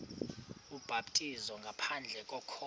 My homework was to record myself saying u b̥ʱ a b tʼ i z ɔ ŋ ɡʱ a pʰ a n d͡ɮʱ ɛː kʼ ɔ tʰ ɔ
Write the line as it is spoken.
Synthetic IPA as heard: u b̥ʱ a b tʼ i z ɔ ŋ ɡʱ a pʰ a n d͡ɮʱ ɛ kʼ ɔ kʰ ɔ